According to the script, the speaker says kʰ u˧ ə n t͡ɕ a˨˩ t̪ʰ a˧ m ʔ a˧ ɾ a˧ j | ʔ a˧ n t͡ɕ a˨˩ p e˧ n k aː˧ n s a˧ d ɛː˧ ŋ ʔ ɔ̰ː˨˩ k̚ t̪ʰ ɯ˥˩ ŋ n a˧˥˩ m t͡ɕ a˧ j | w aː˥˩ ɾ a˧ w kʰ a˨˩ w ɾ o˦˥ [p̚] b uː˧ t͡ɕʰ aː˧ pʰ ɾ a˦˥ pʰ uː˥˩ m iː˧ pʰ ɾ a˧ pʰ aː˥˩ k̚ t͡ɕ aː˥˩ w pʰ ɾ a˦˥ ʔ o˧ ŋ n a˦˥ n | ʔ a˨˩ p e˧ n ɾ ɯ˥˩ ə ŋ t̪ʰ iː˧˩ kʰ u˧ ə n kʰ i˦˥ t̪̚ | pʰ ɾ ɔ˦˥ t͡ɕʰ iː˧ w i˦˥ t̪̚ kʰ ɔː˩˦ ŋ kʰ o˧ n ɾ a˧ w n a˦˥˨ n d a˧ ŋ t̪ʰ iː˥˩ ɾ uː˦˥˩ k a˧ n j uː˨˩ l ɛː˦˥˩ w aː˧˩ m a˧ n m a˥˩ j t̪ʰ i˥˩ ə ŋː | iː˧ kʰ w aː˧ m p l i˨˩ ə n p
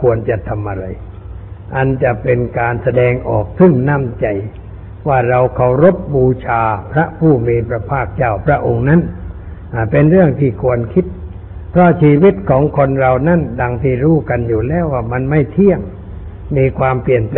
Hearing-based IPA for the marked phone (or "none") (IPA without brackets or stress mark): p̚